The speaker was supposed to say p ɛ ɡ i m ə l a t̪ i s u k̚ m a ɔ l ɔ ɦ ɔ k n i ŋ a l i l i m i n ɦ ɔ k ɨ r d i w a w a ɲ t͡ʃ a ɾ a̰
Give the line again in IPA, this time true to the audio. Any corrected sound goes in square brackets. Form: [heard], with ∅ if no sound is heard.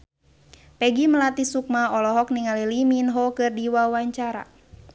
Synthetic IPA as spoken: p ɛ ɡ i m ə l a t̪ i s u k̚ m a ɔ l ɔ ɦ ɔ k n i ŋ a l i l i m i n ɦ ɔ k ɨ r d i w a w a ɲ t͡ʃ a ɾ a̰

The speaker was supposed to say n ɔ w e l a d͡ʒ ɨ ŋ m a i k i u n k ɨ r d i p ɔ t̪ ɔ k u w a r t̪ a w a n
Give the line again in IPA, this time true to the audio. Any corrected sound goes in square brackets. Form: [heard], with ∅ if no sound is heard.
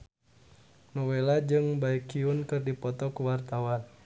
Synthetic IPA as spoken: n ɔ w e l a d͡ʒ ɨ ŋ [b] a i k i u n k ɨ r d i p ɔ t̪ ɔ k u w a r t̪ a w a n

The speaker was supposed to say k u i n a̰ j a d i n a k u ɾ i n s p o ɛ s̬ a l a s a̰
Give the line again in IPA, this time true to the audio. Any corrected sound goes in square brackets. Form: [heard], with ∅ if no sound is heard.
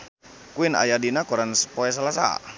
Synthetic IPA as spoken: k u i n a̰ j a d i n a k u ɾ [a] n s p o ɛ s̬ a l a s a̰

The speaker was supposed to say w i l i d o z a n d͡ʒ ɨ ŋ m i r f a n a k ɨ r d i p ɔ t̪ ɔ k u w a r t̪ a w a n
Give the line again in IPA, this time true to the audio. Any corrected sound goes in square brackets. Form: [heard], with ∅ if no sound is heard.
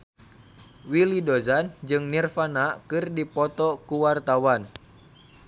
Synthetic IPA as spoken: w i l i d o z a n d͡ʒ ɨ ŋ [n] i r f a n a k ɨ r d i p ɔ t̪ ɔ k u w a r t̪ a w a n

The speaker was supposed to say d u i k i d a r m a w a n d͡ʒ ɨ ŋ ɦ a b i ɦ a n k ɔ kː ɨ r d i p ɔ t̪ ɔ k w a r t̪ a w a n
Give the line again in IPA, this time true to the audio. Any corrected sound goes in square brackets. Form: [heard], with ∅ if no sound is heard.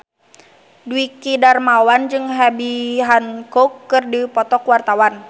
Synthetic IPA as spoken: d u i k i d a r m a w a n d͡ʒ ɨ ŋ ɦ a b i ɦ a n k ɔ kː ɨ r d i p ɔ t̪ ɔ k w a r t̪ a w a n

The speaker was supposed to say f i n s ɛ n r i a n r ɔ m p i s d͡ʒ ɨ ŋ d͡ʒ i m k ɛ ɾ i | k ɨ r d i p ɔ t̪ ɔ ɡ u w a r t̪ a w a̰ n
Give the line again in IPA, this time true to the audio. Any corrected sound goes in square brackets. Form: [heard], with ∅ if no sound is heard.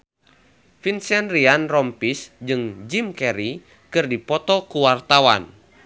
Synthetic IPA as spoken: f i n s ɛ n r i a n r ɔ m p i s d͡ʒ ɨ ŋ d͡ʒ i m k ɛ ɾ i | k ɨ r d i p ɔ t̪ ɔ [k] u w a r t̪ a w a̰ n

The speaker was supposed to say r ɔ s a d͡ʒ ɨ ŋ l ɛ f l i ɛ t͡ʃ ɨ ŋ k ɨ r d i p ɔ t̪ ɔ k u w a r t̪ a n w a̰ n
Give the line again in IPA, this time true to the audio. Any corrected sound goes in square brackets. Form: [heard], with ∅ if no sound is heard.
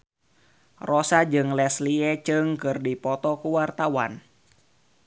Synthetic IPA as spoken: r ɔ s a d͡ʒ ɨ ŋ l ɛ [s] l i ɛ t͡ʃ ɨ ŋ k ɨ r d i p ɔ t̪ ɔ k u w a r t̪ a [∅] w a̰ n

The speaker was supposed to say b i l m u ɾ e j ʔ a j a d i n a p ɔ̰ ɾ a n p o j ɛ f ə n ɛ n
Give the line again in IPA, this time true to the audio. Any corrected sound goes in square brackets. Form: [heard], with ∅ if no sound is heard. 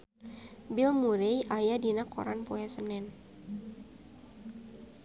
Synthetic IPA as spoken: b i l m u ɾ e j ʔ a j a d i n a [k] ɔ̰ ɾ a n p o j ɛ [s] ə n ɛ n

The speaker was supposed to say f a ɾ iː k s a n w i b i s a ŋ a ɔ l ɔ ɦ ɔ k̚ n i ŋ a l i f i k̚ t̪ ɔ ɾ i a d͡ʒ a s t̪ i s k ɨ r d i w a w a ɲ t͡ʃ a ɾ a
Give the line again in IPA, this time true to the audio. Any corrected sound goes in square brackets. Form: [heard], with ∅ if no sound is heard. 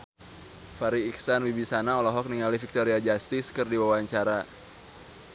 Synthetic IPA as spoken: f a ɾ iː k s a n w i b i s a [n] a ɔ l ɔ ɦ ɔ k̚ n i ŋ a l i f i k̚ t̪ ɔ ɾ i a d͡ʒ a s t̪ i s k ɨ r d i w a w a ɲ t͡ʃ a ɾ a

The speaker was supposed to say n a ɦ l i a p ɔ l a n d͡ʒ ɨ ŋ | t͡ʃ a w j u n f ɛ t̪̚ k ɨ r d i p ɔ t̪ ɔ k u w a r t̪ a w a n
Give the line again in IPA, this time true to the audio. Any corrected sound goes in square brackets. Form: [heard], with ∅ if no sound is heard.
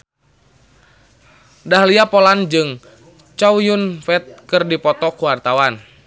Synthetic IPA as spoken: [d] a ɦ l i a p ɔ l a n d͡ʒ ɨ ŋ | t͡ʃ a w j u n f ɛ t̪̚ k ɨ r d i p ɔ t̪ ɔ k u w a r t̪ a w a n

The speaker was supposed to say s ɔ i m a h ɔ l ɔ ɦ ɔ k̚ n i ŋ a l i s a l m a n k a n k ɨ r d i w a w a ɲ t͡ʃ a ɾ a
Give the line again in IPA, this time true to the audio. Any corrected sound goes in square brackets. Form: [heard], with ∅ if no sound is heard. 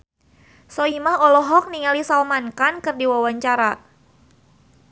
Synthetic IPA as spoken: s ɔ i m a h ɔ l ɔ ɦ ɔ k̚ n i ŋ a l i s a l m a n k a n k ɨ r d i w a w a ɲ t͡ʃ a ɾ a

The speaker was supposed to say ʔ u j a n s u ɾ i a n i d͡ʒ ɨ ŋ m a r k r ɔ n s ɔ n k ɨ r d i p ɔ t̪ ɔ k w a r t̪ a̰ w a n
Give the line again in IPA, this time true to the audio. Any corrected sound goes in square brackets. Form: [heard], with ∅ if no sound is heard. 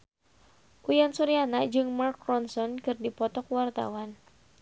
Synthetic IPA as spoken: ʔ u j a n s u ɾ i a n [a] d͡ʒ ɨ ŋ m a r k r ɔ n s ɔ n k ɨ r d i p ɔ t̪ ɔ k w a r t̪ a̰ w a n

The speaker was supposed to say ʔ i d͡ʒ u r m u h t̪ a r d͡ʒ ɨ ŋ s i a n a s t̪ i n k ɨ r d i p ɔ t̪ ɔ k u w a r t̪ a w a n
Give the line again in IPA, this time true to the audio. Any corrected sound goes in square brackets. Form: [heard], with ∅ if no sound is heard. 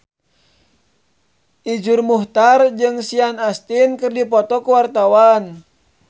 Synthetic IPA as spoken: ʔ i d͡ʒ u r m u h t̪ a r d͡ʒ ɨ ŋ s i a n a s t̪ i n k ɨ r d i p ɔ t̪ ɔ k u w a r t̪ a w a n

